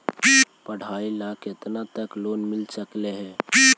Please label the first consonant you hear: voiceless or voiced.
voiceless